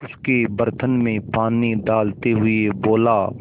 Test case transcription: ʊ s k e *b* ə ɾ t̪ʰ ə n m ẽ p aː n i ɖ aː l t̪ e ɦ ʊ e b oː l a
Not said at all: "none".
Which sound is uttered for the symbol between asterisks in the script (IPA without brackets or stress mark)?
b